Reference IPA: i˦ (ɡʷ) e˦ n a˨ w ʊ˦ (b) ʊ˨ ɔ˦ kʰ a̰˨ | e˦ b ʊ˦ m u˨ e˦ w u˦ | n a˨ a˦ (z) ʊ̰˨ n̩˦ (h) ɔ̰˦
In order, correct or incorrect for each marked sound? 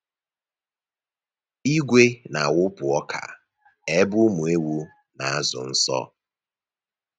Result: correct, incorrect, correct, incorrect

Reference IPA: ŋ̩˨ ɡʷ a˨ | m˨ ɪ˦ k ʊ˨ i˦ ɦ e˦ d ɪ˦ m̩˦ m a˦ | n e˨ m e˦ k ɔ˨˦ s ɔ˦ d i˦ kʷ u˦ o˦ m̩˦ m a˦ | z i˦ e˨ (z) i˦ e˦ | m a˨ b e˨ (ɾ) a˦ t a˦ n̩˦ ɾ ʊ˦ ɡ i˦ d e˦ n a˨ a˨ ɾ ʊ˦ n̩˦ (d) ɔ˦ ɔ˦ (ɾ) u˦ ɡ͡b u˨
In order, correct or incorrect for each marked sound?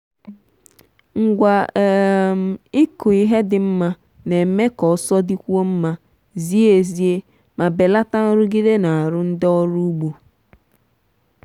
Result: correct, incorrect, correct, correct

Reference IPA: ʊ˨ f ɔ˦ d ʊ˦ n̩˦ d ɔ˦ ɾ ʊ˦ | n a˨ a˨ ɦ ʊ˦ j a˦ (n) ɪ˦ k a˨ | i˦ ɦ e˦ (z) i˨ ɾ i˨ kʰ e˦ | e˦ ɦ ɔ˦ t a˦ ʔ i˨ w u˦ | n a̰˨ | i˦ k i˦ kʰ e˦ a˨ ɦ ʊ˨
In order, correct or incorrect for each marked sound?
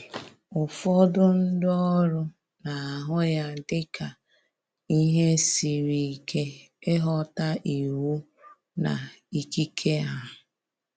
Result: incorrect, incorrect

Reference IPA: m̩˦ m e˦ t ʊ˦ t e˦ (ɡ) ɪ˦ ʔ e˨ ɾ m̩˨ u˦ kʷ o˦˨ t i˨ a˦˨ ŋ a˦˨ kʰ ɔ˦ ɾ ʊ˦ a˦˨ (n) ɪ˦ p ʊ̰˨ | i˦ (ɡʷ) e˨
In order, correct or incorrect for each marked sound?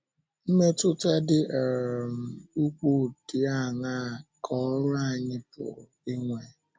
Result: incorrect, incorrect, incorrect

